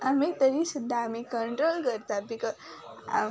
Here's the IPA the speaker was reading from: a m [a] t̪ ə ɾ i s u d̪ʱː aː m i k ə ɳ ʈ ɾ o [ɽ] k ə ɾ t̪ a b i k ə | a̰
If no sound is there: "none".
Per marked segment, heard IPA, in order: i, l

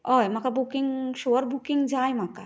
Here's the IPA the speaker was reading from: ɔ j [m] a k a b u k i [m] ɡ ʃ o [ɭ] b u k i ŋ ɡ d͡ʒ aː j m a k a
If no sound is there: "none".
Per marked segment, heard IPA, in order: m, ŋ, ɾ

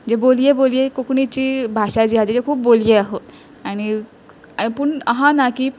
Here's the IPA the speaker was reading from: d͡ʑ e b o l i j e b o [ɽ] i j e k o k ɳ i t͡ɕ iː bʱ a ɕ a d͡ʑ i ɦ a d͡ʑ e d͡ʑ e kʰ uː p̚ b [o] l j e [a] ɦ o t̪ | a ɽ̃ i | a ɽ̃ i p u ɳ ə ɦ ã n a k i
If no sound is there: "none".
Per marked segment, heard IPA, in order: l, o, a

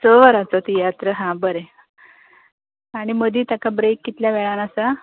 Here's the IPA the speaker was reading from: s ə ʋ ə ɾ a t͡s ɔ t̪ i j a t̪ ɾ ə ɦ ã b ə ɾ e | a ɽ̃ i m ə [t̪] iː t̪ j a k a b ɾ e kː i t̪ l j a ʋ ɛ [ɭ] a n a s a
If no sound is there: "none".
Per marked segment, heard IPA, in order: d̪, ɭ

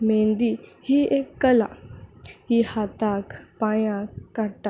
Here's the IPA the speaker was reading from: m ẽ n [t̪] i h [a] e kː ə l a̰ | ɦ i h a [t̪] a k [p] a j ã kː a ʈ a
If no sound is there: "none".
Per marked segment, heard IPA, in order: d̪, i, t̪, p

